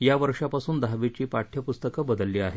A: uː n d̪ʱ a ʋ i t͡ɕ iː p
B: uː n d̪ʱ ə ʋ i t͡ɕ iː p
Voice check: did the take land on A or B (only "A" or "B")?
A